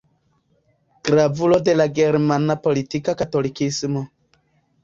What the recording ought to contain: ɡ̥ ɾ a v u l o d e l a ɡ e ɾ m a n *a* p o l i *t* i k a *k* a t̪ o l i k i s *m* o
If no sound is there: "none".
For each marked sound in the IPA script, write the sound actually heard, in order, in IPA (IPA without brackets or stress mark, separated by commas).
a, t, k, m